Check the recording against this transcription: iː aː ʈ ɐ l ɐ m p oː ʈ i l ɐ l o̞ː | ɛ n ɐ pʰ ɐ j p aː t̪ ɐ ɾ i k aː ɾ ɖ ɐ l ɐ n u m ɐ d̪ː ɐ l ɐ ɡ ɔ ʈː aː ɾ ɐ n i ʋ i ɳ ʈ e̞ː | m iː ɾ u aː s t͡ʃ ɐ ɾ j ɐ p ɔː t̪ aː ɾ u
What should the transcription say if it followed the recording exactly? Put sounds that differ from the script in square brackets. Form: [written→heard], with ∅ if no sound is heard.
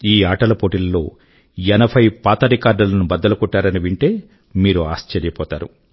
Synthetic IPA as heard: iː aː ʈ ɐ l ɐ [m→∅] p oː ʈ i l ɐ l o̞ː | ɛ n ɐ pʰ ɐ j p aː t̪ ɐ ɾ i k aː ɾ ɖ ɐ l ɐ n u [m→b] ɐ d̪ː ɐ l ɐ [ɡ→k] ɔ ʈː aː ɾ ɐ n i ʋ i ɳ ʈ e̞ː | m iː ɾ u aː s t͡ʃ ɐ ɾ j ɐ p ɔː t̪ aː ɾ u

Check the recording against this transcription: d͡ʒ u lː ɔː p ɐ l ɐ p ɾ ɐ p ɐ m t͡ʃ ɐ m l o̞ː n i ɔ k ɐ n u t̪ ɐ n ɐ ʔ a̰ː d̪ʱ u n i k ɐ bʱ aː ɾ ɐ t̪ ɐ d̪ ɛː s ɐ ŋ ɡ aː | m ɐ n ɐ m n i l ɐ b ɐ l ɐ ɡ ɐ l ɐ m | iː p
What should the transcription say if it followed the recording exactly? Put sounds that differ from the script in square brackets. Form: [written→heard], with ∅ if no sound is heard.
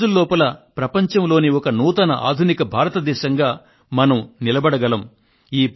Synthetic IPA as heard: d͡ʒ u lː ɔː p ɐ l ɐ p ɾ ɐ p ɐ [m→ɲ] t͡ʃ ɐ m l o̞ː n i ɔ k ɐ n [u→uː] t̪ ɐ n ɐ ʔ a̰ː d̪ʱ u n i k ɐ bʱ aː ɾ ɐ t̪ ɐ d̪ ɛː [s→ʃ] ɐ ŋ ɡ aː | m ɐ n ɐ m n i l ɐ b ɐ [l→ɽ] ɐ ɡ ɐ l ɐ m | iː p

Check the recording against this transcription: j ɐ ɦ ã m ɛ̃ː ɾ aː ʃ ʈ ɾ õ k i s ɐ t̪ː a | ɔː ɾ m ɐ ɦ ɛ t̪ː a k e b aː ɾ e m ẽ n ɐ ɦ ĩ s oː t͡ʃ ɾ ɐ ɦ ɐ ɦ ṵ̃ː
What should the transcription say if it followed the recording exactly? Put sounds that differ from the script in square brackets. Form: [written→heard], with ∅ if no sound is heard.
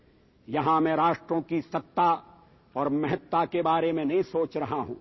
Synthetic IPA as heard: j ɐ ɦ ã m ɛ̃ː ɾ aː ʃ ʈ ɾ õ k i s ɐ t̪ː a | ɔː ɾ m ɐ ɦ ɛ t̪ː a k e b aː ɾ e m ẽ n ɐ ɦ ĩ s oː t͡ʃ ɾ ɐ ɦ [ɐ→a] ɦ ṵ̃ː

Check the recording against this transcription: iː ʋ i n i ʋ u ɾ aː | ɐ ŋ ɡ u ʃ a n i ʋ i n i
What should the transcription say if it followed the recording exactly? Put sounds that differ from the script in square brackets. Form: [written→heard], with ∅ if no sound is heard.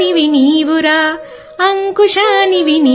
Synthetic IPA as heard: [iː→i] ʋ i n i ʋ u ɾ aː | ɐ ŋ [ɡ→k] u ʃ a n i ʋ i n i

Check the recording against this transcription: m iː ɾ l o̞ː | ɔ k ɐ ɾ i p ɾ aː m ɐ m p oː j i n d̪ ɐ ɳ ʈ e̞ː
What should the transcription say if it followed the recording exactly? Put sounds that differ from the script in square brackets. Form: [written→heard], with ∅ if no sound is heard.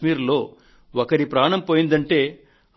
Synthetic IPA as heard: m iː ɾ l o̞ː | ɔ k ɐ ɾ i p ɾ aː [m→ɳ] ɐ m p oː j i n d̪ ɐ ɳ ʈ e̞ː

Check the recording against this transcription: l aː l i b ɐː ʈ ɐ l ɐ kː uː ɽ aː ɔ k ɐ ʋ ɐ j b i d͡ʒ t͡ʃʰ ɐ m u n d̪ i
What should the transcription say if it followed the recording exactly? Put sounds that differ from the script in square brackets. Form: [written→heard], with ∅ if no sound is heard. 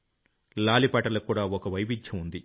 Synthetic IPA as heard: l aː l i [b→p] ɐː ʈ ɐ l ɐ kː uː ɽ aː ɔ k ɐ ʋ ɐ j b i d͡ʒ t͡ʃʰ ɐ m u n d̪ i

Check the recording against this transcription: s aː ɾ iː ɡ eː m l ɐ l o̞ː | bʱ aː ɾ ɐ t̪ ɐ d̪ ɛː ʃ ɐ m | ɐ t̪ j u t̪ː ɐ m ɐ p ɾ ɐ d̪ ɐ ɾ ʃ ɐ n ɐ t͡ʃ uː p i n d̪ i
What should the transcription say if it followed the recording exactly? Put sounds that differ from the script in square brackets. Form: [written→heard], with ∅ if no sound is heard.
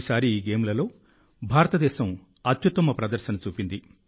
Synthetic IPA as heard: s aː ɾ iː ɡ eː m l ɐ l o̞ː | bʱ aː ɾ ɐ t̪ ɐ d̪ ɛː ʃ ɐ m | ɐ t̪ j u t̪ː ɐ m ɐ p ɾ ɐ d̪ ɐ ɾ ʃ ɐ n ɐ t͡ʃ uː p i n d̪ i

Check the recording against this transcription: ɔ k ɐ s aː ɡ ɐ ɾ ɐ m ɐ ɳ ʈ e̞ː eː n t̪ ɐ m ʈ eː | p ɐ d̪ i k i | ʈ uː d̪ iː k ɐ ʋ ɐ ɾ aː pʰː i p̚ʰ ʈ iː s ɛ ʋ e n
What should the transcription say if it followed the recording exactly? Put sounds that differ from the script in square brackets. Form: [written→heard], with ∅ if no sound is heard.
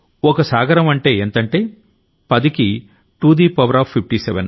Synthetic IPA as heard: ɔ k ɐ s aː ɡ ɐ ɾ ɐ m ɐ ɳ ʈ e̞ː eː n t̪ ɐ [m→ɳ] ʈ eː | p ɐ d̪ i k i | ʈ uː d̪ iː [k→p] ɐ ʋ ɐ ɾ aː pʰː i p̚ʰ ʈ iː s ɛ ʋ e n

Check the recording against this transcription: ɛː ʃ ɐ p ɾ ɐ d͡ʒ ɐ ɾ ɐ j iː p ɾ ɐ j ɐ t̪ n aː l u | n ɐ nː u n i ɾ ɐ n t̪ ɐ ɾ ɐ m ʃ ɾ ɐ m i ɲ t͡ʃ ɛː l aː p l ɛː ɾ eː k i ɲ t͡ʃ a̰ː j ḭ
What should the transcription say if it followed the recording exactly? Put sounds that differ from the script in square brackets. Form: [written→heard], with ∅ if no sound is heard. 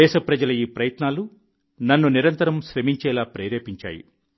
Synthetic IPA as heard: ɛː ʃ ɐ p ɾ ɐ d͡ʒ ɐ [ɾ→l] ɐ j iː p ɾ ɐ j ɐ t̪ n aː l u | n ɐ nː u n i ɾ ɐ n t̪ ɐ ɾ ɐ m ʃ ɾ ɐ m i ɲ t͡ʃ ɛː l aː p [l→ɾ] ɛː ɾ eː [k→p] i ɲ t͡ʃ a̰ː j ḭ

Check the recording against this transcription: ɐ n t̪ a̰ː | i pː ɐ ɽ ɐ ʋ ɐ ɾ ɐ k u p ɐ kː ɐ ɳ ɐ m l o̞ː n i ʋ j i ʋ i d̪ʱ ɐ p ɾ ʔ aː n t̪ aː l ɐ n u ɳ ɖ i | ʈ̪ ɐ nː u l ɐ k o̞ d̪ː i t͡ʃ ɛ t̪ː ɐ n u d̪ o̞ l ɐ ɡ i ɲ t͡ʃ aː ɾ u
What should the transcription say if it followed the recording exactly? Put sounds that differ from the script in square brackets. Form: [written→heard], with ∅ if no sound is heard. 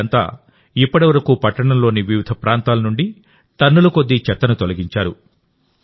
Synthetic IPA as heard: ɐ n t̪ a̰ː | i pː ɐ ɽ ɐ ʋ ɐ ɾ ɐ k u p ɐ [kː→ʈː] ɐ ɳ ɐ m l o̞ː n i ʋ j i ʋ i d̪ʱ ɐ p ɾ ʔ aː n t̪ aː l ɐ n u ɳ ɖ i | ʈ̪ ɐ nː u l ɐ k o̞ d̪ː i t͡ʃ ɛ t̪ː ɐ n u [d̪→t̪] o̞ l ɐ ɡ i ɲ t͡ʃ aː ɾ u

